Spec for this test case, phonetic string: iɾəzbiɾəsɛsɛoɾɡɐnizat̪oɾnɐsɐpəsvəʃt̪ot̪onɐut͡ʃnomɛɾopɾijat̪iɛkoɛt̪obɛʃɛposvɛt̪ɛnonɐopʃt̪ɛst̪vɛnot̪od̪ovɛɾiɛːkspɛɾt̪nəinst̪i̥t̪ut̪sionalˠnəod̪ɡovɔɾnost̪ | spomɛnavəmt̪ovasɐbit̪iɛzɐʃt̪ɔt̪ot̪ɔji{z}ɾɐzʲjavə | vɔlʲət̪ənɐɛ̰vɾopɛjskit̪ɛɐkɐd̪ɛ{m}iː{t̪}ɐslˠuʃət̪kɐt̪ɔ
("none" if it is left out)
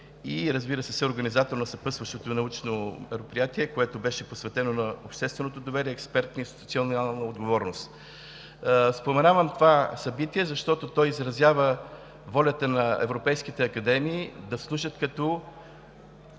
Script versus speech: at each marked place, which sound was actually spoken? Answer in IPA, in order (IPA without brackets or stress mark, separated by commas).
z, m, d̪